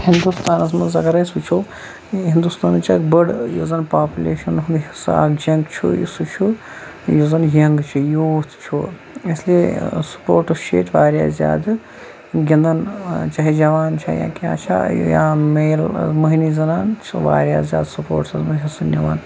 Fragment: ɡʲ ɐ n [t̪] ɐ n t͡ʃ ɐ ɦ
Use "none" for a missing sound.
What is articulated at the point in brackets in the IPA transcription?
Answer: d̪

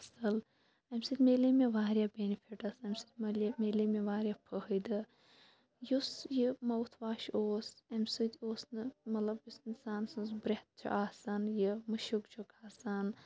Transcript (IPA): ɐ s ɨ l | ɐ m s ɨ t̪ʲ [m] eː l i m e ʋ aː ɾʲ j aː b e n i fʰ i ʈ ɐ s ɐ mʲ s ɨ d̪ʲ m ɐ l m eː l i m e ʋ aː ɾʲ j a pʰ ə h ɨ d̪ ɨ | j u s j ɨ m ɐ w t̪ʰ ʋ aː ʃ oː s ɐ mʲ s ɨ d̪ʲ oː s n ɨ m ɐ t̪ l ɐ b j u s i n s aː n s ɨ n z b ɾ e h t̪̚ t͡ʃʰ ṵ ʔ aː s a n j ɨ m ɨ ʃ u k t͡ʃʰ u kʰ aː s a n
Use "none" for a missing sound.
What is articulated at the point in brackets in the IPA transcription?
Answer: m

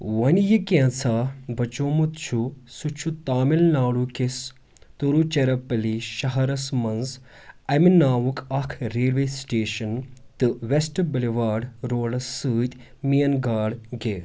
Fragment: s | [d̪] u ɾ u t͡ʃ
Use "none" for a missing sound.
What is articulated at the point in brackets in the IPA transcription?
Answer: t̪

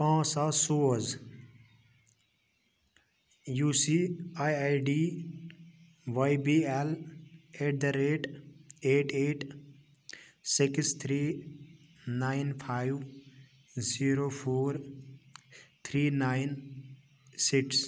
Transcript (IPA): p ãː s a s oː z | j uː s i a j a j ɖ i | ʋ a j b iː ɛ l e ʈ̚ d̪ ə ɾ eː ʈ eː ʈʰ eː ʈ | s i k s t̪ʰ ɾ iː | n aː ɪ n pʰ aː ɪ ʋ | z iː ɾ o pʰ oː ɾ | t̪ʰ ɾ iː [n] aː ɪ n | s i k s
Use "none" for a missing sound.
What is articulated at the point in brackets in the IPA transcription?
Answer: n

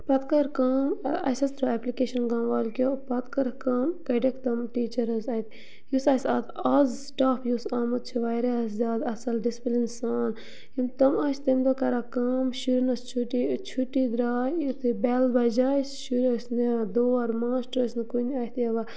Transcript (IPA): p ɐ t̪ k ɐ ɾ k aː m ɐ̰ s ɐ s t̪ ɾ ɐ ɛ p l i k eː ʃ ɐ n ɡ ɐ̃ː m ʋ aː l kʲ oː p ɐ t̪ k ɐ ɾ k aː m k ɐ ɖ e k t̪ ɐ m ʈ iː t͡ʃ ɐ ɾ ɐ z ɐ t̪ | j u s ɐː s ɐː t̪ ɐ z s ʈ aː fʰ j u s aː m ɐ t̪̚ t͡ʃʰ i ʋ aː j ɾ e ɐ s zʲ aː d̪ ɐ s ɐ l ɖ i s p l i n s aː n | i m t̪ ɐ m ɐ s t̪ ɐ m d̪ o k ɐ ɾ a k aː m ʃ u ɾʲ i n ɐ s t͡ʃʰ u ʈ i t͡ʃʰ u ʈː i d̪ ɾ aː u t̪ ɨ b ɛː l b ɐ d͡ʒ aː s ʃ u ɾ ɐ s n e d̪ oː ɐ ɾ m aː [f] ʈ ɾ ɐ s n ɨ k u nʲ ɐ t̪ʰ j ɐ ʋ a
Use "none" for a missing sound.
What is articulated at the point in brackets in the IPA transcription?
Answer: s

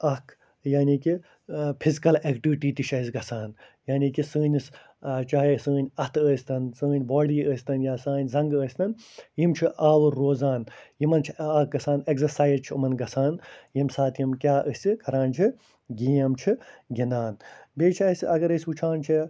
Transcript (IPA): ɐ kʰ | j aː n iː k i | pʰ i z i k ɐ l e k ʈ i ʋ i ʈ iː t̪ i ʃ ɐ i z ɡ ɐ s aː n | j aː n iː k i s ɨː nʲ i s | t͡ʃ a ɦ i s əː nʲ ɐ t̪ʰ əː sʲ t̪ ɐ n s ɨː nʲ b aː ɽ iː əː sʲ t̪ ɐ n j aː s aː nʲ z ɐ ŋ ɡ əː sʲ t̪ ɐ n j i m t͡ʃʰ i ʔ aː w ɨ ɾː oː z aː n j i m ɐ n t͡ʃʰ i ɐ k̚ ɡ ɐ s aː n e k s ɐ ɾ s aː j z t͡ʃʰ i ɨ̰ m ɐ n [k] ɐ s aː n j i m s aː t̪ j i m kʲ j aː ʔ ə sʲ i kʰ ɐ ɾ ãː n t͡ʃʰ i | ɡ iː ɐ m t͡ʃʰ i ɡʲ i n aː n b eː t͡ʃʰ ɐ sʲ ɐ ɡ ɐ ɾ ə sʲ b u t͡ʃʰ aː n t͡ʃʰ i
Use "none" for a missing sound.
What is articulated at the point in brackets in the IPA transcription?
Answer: ɡ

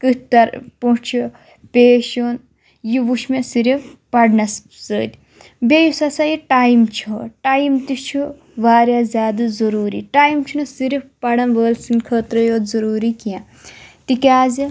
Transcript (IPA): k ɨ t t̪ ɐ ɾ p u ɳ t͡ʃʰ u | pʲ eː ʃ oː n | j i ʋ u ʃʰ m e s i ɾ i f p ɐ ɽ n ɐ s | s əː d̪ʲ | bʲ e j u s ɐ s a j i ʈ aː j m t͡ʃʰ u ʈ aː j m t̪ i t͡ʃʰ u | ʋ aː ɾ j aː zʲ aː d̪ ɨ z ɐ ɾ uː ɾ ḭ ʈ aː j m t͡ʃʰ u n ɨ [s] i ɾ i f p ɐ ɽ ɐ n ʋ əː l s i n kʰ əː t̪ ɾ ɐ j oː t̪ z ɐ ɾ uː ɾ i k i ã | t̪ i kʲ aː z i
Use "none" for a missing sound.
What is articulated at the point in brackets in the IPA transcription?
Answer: s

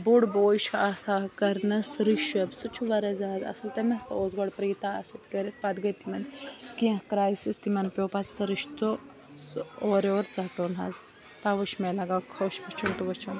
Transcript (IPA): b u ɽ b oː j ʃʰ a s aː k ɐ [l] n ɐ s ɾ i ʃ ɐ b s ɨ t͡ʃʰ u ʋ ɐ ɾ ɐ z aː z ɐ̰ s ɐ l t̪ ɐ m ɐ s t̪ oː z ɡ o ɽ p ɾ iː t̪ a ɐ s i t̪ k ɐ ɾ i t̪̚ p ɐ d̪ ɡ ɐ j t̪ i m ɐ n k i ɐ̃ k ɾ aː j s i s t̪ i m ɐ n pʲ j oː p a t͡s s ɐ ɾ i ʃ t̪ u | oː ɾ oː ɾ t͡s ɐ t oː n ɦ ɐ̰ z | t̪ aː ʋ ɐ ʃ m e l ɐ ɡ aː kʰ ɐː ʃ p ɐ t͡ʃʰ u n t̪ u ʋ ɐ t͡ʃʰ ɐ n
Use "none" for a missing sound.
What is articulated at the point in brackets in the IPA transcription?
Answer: ɾ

